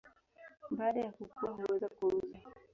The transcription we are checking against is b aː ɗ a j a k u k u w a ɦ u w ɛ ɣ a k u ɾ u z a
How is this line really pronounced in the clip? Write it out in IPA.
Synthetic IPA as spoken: b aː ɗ a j a k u k u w a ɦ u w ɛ z a k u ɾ u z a